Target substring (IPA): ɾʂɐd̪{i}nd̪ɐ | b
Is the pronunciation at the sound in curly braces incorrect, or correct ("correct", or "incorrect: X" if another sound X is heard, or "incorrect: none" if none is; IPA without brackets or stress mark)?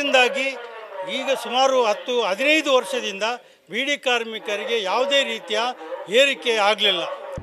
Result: correct